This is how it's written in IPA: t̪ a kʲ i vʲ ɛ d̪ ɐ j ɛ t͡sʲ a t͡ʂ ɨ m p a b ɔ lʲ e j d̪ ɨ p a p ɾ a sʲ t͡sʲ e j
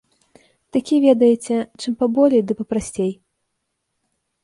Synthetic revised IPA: t̪ a kʲ i vʲ ɛ d̪ ɐ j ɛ t͡sʲ ɛ t͡ʂ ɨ m p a b ɔ lʲ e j d̪ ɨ p ɐ p ɾ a sʲ t͡sʲ e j

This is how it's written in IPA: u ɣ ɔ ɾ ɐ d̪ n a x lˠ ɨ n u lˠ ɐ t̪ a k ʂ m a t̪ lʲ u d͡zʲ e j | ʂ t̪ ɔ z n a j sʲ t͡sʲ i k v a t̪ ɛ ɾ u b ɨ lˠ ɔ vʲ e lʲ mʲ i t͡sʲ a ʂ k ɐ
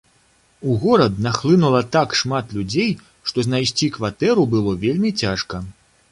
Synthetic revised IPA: u ɣ ɔ ɾ ɐ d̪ n a x lˠ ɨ n u lˠ ɐ t̪ a k ʂ m a t̪ lʲ u d͡zʲ e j | ʂ t̪ ɔ z n a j sʲ t͡sʲ i k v a t̪ ɛ ɾ u b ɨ lˠ ɔ vʲ e lʲ mʲ i t͡sʲ a ʂ k ɐ

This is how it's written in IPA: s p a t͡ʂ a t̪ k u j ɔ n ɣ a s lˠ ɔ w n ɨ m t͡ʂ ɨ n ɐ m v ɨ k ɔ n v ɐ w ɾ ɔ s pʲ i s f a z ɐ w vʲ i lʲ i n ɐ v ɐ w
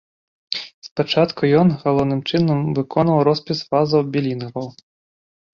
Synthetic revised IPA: s p a t͡ʂ a t̪ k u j ɔ n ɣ a lˠ ɔ w n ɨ m t͡ʂ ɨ n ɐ m v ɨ k ɔ n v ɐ w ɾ ɔ s pʲ i s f a z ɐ w bʲ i lʲ i n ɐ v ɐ w

